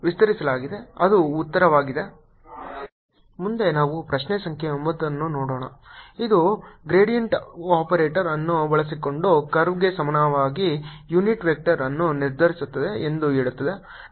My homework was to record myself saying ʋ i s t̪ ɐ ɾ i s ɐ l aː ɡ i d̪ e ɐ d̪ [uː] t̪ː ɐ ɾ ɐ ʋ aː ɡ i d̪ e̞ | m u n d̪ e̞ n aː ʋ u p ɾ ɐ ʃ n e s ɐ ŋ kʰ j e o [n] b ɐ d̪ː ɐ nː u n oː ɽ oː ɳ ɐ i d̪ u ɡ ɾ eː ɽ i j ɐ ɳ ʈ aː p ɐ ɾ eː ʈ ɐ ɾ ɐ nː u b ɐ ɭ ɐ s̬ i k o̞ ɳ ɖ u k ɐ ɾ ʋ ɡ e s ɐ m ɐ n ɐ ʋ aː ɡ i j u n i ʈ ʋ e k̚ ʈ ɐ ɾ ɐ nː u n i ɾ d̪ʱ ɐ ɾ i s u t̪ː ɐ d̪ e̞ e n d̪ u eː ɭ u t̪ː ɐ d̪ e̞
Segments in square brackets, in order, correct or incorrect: correct, incorrect: m

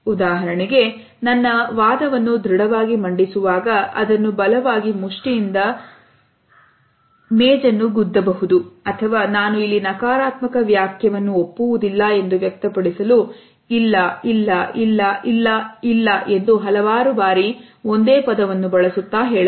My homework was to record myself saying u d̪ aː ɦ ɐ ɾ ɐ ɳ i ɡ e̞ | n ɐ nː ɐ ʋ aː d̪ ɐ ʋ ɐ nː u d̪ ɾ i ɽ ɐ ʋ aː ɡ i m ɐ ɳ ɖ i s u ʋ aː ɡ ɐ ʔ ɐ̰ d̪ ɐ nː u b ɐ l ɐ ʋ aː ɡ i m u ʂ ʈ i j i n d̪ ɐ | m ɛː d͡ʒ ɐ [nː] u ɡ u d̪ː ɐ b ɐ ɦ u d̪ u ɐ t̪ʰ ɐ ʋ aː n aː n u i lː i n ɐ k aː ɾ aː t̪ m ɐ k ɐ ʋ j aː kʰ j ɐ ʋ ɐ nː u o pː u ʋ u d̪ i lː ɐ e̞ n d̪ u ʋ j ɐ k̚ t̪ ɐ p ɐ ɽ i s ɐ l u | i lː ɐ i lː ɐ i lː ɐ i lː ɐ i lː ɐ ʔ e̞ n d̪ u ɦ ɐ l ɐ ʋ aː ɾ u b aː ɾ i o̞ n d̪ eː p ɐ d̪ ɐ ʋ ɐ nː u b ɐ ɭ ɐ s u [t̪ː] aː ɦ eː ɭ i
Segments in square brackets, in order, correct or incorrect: correct, correct

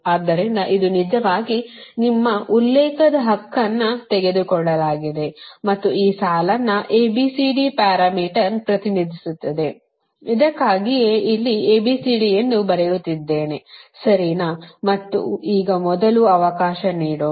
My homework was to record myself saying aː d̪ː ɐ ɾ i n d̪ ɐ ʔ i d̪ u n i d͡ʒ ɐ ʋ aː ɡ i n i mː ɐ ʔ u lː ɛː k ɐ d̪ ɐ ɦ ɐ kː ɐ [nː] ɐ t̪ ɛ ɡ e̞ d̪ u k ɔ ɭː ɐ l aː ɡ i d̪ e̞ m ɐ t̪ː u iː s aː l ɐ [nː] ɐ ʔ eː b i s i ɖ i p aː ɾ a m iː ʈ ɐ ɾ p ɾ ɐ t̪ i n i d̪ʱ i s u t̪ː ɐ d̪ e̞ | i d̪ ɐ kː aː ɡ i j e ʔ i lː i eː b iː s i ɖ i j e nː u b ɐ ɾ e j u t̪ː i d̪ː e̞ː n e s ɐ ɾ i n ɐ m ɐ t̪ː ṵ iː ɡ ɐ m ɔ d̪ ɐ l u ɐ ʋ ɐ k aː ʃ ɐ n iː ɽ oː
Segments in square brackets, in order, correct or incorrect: correct, correct

